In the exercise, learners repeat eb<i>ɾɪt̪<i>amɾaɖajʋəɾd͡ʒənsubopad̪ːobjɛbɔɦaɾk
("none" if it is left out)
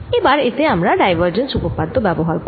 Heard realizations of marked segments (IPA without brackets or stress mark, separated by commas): a, e